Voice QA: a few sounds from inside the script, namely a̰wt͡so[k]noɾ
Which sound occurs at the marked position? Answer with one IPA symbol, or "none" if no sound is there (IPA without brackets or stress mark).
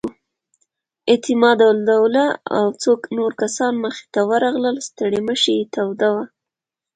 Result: k